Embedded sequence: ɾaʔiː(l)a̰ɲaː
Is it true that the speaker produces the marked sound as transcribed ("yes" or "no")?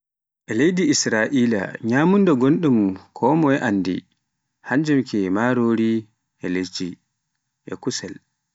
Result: yes